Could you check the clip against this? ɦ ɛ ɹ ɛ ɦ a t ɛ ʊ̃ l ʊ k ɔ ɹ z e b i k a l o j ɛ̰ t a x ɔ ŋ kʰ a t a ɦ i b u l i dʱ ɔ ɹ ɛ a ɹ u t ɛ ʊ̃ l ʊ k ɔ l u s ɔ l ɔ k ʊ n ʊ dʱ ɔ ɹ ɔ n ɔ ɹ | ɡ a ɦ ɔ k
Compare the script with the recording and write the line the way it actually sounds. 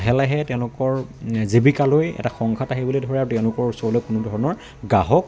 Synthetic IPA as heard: ɦ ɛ l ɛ ɦ ɛ t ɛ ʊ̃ l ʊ k ɔ ɹ z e b i k a l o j ɛ̰ t a x ɔ ŋ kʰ a t a ɦ i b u l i dʱ ɔ ɹ ɛ a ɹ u t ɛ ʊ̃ l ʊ k ɔ ɹ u s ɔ l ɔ k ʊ n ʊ dʱ ɔ ɹ ɔ n ɔ ɹ | ɡ a ɦ ɔ k

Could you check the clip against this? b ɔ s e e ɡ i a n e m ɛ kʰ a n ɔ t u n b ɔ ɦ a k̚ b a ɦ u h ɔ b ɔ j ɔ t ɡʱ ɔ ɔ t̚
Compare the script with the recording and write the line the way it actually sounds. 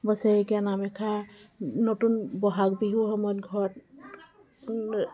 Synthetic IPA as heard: b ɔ s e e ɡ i a n a m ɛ kʰ a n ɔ t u n b ɔ ɦ a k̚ b i ɦ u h ɔ m ɔ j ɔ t ɡʱ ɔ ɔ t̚

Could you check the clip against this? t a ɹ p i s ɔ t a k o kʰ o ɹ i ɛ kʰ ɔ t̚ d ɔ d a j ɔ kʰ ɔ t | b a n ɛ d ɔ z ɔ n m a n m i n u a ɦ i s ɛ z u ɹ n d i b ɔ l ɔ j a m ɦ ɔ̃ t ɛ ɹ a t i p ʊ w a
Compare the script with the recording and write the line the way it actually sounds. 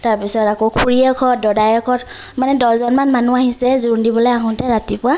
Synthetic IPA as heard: t a ɹ p i s ɔ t a k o kʰ u ɹ i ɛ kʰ ɔ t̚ d ɔ d a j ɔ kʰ ɔ t | m a n ɛ d ɔ z ɔ n m a n m a n u a ɦ i s ɛ z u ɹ n d i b ɔ l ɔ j a ɦ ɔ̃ t ɛ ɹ a t i p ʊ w a

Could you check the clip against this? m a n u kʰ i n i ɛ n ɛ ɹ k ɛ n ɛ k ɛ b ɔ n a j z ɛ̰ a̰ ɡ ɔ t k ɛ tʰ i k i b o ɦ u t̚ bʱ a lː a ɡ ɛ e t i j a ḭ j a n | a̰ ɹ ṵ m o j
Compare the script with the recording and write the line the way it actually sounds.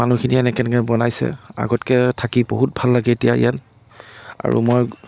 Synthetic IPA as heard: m a n u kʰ i n i ɛ n ɛ k ɛ n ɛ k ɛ b ɔ n a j s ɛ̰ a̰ ɡ ɔ t k ɛ tʰ a k i b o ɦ u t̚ bʱ a lː a ɡ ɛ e t i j a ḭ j a n | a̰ ɹ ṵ m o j

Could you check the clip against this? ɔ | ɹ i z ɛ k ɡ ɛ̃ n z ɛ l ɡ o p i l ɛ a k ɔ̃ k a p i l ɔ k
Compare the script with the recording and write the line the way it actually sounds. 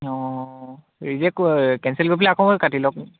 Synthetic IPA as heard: ɔ | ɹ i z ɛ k k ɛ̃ n s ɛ l ɡ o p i l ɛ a k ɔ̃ k a t i l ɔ k

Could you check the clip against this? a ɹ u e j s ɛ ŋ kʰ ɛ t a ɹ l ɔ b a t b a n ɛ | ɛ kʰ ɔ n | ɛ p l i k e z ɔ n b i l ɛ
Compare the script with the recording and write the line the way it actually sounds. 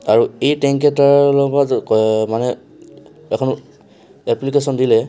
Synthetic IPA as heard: a ɹ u e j t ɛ ŋ k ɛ t a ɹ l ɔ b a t m a n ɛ | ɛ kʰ ɔ n | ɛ p l i k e s ɔ n d i l ɛ

